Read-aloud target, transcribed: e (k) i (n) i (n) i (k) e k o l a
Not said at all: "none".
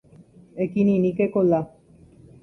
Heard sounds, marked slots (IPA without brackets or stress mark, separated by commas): k, n, n, k